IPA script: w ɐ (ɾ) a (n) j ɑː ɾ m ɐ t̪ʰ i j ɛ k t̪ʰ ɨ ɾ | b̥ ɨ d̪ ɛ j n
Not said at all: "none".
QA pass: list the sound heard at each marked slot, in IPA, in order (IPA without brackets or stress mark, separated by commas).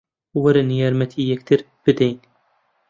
ɾ, n